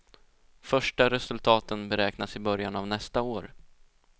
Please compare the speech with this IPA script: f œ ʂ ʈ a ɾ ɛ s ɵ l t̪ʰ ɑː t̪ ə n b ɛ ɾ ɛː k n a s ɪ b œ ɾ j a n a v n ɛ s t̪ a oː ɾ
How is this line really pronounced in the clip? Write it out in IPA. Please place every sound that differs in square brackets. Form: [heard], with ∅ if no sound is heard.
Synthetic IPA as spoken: f œ ʂ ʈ a ɾ ɛ s ɵ l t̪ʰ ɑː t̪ ə n b ɛ ɾ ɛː k n a s ɪ b œ ɾ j a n a v n ɛ s t̪ a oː ɾ